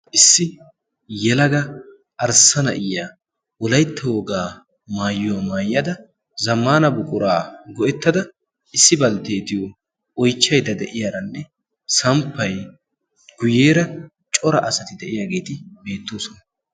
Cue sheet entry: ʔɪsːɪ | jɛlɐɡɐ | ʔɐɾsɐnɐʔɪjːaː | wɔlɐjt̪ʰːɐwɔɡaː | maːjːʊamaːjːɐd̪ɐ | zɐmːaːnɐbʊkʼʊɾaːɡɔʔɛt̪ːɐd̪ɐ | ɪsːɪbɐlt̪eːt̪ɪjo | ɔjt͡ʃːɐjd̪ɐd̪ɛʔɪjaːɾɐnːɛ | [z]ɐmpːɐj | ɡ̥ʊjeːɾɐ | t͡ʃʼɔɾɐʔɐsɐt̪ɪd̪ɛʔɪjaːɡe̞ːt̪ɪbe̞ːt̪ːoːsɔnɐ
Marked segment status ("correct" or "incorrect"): incorrect